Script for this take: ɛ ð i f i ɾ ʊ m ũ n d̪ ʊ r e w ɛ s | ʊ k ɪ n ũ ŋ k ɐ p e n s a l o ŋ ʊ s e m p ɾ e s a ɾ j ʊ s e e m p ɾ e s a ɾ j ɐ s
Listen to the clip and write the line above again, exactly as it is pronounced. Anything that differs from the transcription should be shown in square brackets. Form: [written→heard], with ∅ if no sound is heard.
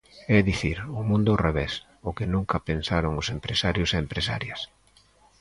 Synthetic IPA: ɛ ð i [f→θ] i ɾ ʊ m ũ n d̪ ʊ r e [w→β] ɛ s | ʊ k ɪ n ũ ŋ k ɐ p e n s a [l→ɾ] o ŋ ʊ s e m p ɾ e s a ɾ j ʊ s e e m p ɾ e s a ɾ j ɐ s